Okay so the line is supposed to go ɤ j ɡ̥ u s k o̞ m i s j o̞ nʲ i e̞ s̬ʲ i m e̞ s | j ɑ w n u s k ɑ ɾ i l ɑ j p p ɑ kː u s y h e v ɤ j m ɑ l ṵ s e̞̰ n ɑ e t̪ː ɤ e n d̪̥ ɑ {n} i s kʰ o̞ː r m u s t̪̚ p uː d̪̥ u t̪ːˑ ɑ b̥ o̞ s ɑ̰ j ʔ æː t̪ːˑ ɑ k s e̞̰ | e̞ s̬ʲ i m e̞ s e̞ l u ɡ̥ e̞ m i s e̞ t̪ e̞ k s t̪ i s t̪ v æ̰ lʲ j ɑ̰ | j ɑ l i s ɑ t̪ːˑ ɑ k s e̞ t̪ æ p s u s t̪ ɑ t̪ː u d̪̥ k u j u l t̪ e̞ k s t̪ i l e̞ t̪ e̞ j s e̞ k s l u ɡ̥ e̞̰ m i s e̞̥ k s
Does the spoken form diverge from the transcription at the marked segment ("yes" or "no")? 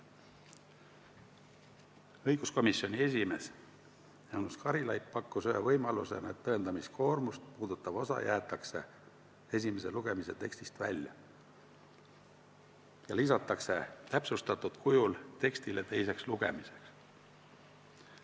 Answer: yes